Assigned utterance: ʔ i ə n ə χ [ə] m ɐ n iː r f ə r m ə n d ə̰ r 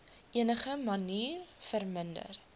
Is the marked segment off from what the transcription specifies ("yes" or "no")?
no